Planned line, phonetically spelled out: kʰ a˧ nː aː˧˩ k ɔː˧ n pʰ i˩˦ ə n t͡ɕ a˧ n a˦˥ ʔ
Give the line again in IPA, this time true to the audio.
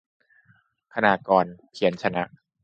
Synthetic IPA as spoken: kʰ a˧ n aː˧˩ k ɔː˧ n pʰ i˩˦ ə n t͡ɕʰ a˧ n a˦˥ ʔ